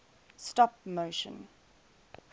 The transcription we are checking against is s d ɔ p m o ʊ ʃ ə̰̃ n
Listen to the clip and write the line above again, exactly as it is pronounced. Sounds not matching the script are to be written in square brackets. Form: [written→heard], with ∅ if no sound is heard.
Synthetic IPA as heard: s [d→t] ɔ p m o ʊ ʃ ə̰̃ n